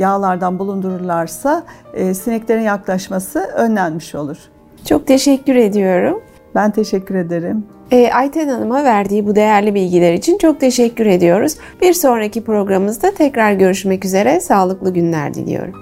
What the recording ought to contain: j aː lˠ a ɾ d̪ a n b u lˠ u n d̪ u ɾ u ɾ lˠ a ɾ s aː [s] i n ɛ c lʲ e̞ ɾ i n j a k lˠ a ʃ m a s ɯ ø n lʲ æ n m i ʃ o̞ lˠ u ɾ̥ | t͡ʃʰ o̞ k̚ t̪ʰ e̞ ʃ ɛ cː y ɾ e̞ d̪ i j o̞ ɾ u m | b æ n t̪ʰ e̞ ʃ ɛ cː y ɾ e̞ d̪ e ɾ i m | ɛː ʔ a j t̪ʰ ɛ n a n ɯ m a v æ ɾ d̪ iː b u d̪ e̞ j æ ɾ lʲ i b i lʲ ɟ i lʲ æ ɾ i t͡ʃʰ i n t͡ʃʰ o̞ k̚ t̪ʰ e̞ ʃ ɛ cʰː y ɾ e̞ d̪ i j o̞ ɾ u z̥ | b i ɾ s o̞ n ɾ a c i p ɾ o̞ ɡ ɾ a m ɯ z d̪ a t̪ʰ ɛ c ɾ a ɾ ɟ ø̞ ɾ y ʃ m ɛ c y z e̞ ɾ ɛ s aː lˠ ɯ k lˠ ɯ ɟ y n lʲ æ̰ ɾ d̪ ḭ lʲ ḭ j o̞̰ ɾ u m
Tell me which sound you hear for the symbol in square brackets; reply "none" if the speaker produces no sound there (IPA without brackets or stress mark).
s